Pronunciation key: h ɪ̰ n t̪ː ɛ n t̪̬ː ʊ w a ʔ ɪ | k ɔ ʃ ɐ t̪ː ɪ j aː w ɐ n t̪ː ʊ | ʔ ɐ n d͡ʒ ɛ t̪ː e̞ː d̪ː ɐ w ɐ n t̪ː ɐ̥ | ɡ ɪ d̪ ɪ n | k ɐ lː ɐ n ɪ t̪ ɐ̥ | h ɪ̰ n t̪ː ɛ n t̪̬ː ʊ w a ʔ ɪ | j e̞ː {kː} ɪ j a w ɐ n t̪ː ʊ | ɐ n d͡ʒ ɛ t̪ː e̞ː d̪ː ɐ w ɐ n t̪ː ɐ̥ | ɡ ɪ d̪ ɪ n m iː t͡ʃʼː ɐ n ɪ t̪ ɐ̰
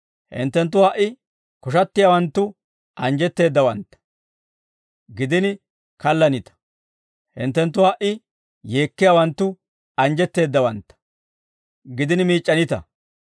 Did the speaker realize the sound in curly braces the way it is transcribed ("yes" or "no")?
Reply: yes